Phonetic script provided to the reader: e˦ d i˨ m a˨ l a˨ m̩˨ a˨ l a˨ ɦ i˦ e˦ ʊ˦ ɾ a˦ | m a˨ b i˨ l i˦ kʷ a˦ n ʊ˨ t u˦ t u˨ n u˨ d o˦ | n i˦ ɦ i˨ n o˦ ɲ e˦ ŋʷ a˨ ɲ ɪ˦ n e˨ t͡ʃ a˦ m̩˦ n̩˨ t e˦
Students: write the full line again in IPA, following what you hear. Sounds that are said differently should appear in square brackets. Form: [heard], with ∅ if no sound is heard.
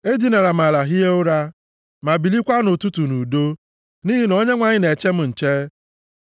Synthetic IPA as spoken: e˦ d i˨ [n] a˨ [ɾ] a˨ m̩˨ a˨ l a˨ ɦ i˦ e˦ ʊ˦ ɾ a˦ | m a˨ b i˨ l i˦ kʷ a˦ n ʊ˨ t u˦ t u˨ n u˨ d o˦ | n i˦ ɦ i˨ n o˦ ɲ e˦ ŋʷ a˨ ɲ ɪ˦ n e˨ t͡ʃ [e˦] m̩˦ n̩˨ [t͡ʃ] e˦